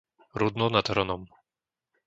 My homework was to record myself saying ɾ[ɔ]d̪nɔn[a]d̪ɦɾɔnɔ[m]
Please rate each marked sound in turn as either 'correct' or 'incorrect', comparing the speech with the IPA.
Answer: incorrect: u, correct, correct

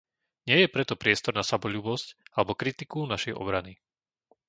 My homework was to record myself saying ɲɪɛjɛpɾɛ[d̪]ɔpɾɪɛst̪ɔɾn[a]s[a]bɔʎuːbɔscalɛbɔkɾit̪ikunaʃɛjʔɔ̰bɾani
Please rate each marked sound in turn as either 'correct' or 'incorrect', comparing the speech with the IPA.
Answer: incorrect: t̪, correct, correct

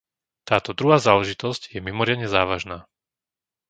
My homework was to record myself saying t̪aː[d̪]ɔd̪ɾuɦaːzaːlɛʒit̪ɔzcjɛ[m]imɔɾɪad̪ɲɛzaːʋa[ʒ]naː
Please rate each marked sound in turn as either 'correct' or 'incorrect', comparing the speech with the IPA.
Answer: incorrect: t̪, correct, correct

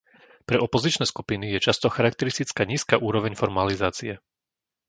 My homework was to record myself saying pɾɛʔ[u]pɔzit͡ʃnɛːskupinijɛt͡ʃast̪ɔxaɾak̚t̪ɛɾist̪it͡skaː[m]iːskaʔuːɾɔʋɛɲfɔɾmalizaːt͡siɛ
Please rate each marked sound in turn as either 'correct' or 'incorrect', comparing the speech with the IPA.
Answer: incorrect: ɔ, incorrect: ɲ

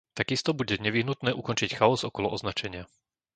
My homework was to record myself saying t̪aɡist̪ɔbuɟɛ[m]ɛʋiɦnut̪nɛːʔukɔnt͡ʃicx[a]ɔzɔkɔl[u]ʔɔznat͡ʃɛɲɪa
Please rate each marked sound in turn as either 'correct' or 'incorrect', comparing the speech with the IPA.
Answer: incorrect: ɲ, correct, incorrect: ɔ

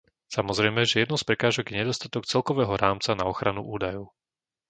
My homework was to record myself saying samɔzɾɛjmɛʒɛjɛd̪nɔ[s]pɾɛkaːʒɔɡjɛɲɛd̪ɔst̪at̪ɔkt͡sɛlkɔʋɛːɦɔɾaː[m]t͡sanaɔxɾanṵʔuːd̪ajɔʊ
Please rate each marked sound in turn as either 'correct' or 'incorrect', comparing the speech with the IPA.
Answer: correct, correct

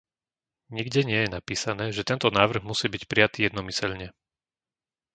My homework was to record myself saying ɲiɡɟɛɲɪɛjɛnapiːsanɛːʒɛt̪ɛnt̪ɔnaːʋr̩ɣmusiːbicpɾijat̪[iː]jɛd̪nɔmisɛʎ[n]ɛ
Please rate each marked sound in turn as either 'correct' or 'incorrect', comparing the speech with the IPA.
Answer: correct, incorrect: ɲ

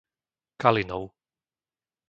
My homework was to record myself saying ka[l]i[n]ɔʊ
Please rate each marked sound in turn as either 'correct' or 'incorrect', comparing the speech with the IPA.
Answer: correct, correct

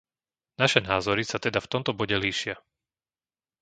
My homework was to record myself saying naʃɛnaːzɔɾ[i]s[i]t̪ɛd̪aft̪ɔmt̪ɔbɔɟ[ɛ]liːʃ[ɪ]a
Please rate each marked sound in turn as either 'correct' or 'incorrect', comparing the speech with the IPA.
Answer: correct, incorrect: a, correct, correct

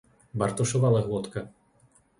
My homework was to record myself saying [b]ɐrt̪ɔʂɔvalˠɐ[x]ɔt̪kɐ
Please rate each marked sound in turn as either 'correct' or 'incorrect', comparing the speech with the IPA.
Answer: correct, incorrect: ɣ

